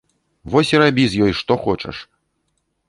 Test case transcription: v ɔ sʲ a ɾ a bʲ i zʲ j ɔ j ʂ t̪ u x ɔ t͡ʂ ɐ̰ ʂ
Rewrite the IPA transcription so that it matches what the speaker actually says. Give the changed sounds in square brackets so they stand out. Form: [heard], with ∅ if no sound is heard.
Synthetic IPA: v ɔ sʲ [i] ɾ a bʲ i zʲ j ɔ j ʂ t̪ [ɔ] x ɔ t͡ʂ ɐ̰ ʂ